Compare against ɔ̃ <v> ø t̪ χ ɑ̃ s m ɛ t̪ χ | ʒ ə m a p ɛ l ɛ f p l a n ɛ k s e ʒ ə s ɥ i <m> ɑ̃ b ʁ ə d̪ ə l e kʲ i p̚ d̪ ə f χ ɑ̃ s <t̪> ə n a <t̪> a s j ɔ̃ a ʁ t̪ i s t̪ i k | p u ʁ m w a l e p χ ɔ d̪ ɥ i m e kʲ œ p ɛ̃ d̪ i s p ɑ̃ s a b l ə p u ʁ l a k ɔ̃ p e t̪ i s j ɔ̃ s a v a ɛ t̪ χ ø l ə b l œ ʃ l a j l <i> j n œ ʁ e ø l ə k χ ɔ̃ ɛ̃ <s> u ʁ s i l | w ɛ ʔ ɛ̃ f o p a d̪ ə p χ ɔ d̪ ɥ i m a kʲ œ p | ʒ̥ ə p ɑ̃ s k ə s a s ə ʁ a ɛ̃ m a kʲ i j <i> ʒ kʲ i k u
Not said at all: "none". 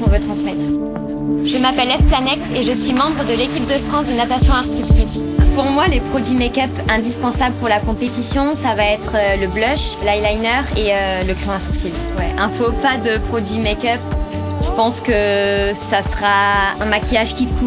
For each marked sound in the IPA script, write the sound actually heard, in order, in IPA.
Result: v, m, d̪, t̪, a, s, a

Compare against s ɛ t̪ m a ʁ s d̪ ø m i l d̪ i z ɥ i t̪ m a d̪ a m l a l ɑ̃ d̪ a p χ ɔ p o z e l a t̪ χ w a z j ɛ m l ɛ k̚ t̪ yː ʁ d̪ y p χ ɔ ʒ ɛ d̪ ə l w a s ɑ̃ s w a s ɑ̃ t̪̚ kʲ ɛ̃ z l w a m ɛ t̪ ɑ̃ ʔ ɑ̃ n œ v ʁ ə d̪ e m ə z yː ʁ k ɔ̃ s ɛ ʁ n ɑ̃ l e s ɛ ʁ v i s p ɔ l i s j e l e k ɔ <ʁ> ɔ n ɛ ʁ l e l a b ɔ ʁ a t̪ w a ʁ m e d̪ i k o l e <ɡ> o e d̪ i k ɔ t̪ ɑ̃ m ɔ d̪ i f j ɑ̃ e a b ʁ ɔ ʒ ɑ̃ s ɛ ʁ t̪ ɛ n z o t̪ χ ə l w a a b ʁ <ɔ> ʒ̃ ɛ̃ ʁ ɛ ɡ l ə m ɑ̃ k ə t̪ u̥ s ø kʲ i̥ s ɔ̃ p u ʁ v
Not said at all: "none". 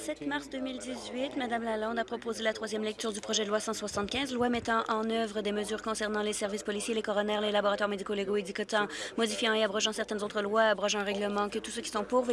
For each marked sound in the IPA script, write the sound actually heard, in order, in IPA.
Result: ʁ, ɡ, ɔ

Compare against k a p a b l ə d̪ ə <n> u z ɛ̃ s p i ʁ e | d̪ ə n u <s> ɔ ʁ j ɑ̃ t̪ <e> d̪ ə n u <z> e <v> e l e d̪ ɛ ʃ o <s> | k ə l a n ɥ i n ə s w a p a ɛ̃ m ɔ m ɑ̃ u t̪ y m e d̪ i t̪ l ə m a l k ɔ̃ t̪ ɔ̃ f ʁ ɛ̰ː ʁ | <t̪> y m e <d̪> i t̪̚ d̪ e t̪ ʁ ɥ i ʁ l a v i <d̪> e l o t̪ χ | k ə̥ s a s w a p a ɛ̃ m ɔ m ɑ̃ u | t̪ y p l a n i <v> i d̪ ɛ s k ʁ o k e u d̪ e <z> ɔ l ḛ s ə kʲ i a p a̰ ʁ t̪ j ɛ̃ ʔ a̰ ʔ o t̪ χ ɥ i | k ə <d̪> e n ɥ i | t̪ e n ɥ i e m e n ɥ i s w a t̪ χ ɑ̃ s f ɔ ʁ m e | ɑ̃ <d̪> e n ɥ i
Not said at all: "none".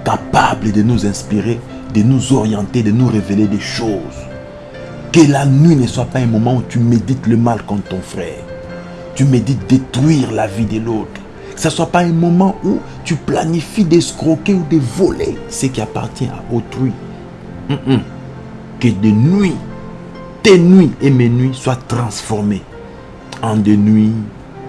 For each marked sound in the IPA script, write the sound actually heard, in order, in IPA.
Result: n, z, e, ʁ, v, z, t̪, d̪, d̪, f, v, d̪, d̪

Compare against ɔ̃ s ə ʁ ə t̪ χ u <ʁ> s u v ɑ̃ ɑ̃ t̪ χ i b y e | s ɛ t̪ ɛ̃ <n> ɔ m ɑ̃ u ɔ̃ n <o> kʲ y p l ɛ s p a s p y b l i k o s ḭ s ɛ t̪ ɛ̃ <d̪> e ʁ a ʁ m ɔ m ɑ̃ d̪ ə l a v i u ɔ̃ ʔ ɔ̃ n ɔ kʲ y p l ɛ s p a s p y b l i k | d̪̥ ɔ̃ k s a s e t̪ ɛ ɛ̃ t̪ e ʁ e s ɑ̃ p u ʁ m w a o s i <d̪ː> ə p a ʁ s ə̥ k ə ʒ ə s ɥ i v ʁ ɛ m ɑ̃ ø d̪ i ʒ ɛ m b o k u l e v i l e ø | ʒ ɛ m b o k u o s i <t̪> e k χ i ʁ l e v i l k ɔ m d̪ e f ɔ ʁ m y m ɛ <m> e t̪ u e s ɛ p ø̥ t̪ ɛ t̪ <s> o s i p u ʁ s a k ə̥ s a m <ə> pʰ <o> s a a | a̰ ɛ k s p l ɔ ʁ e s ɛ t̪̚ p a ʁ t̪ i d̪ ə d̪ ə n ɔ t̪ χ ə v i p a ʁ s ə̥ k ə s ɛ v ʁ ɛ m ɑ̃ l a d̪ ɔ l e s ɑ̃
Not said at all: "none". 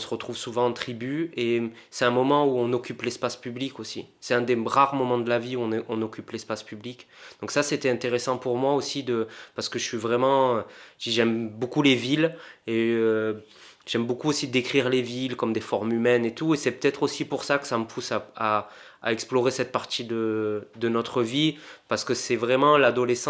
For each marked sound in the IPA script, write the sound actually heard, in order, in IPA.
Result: v, m, ɔ, d̪, d̪, d̪, n, χ, ə, u

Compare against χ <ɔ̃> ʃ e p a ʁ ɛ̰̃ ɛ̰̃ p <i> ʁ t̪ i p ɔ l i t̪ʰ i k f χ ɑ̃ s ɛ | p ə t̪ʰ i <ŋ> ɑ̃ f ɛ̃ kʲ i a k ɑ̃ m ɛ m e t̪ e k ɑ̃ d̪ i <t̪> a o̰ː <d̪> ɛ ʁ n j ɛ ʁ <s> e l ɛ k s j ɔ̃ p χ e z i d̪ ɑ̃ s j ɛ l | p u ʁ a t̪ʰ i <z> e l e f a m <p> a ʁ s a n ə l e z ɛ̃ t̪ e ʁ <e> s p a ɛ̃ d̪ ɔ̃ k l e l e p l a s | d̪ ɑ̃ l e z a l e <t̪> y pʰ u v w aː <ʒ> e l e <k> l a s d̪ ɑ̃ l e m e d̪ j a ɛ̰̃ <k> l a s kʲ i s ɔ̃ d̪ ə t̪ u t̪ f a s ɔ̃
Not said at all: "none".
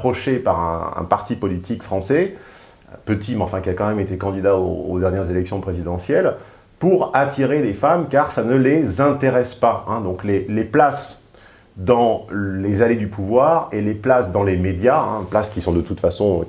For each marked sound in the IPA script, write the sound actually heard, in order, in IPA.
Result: ɔ, a, m, d̪, d̪, z, ʁ, k, ɛ, d̪, ʁ, p, p

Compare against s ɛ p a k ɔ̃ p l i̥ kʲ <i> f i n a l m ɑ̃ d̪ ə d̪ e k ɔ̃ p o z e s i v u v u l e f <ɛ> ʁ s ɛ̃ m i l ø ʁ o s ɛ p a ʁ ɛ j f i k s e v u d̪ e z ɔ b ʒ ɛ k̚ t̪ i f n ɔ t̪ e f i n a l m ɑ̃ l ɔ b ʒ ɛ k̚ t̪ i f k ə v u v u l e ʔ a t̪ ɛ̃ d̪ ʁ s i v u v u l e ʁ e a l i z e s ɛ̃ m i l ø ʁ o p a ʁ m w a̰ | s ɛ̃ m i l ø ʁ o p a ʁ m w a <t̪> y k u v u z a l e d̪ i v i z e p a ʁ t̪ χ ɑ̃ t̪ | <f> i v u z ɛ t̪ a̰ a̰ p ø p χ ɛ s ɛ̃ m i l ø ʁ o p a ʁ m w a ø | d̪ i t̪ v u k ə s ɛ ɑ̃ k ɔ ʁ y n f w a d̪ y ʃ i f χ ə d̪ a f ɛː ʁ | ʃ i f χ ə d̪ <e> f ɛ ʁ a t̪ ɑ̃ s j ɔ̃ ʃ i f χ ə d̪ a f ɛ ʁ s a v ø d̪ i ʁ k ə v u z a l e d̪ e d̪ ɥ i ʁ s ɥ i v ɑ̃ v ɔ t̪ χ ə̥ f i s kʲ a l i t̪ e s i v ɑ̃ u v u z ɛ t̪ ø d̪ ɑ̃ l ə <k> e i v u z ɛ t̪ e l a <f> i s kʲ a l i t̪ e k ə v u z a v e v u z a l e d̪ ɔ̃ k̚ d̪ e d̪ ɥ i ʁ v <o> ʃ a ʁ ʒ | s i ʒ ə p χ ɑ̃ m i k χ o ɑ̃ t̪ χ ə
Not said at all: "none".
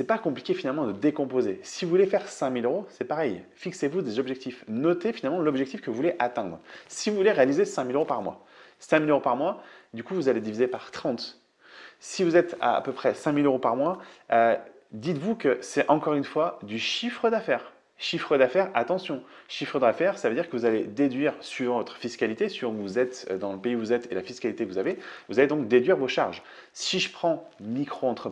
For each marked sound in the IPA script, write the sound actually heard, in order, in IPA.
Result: e, ɛ, d̪, s, a, p, f, o

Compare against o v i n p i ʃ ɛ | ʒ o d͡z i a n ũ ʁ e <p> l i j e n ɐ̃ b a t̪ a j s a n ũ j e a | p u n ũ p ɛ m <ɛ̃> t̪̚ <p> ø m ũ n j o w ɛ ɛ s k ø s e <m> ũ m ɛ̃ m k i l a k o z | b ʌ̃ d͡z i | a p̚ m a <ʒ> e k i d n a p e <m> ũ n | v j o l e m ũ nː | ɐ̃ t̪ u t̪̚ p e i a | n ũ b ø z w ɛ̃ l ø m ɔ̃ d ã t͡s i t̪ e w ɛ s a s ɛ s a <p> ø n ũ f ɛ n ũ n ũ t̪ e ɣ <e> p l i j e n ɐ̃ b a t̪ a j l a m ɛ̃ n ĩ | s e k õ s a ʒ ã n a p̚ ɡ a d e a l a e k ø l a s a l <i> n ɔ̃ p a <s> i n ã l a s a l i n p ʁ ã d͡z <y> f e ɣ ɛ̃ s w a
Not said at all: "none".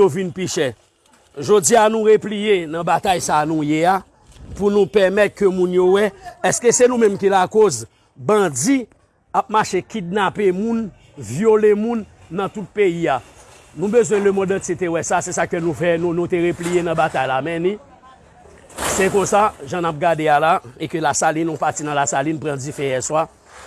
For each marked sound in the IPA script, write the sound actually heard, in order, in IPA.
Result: p, ɛ, k, n, ʃ, m, k, e, i, t͡s, i

